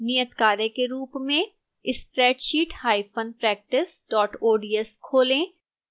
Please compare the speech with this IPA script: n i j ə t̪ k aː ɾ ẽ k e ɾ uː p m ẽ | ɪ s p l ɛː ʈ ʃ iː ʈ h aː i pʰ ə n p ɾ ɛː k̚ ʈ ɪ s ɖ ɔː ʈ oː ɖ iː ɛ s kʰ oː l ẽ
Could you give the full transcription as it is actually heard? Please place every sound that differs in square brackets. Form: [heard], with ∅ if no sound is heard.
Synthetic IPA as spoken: n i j ə t̪ k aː ɾ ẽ k e ɾ uː p m ẽ | ɪ s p [ɾ] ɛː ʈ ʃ iː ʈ h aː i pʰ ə n p ɾ ɛː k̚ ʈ ɪ s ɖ ɔː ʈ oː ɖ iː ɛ s kʰ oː l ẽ